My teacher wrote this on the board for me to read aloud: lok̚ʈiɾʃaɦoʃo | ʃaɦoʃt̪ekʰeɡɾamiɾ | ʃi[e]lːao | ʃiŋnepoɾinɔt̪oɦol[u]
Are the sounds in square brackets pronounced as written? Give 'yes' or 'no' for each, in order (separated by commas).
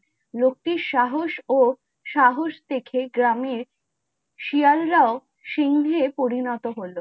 no, no